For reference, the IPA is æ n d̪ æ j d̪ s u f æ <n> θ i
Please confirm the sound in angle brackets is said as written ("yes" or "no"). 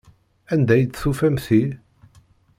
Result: no